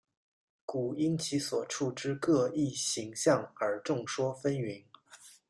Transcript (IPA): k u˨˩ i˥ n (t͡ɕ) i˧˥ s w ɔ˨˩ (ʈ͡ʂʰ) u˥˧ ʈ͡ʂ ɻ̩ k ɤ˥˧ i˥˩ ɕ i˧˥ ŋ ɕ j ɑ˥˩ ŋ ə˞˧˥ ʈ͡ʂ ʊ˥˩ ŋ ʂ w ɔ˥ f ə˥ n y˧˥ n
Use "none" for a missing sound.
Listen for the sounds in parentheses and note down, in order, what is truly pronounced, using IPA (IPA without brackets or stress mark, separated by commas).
t͡ɕʰ, ʈ͡ʂʰ